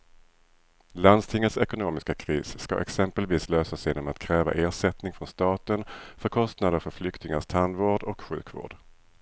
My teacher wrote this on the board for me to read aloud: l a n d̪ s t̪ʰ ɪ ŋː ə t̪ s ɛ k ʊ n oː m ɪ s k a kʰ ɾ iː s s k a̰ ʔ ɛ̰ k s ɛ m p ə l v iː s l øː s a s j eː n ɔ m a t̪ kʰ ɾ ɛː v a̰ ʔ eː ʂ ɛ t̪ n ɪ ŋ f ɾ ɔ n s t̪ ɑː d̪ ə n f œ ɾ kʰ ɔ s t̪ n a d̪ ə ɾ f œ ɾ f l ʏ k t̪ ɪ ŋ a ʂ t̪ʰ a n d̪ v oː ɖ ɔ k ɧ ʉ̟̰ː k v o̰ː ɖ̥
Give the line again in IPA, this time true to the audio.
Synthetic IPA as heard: l a n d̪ s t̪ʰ ɪ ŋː ə t̪ s ɛ k ʊ n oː m ɪ s k a kʰ ɾ iː s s k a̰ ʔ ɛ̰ k s ɛ m p ə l v iː s l øː s a s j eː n ɔ m a t̪ kʰ ɾ ɛː v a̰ ʔ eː ʂ ɛ t̪ n ɪ ŋ f ɾ ɔ n s t̪ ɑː t̪ ə n f œ ɾ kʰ ɔ s t̪ n a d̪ ə ɾ f œ ɾ f l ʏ k t̪ ɪ ŋ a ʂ t̪ʰ a n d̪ v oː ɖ ɔ k ɧ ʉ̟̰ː k v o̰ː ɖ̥